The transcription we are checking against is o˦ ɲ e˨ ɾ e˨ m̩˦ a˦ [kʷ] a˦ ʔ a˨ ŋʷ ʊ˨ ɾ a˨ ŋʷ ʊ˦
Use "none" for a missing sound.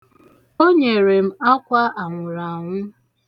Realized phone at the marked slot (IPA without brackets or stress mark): kʷ